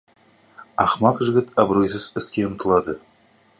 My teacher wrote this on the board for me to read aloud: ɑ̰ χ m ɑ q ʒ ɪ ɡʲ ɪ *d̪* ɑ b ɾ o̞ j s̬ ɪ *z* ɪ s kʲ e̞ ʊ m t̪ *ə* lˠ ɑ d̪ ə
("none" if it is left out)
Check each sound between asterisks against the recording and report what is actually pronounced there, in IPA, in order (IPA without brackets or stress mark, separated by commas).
t̪, z, ə